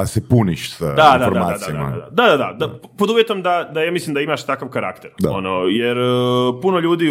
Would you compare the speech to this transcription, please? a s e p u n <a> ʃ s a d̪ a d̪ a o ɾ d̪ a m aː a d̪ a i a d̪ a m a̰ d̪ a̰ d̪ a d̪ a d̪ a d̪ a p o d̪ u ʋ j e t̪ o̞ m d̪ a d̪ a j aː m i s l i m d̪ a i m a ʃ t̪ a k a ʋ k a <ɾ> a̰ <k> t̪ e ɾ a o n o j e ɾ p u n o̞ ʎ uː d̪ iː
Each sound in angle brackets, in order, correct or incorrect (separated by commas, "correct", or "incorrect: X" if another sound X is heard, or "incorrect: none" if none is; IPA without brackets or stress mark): incorrect: i, correct, correct